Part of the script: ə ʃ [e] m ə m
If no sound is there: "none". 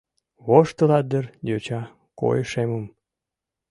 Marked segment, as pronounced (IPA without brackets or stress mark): e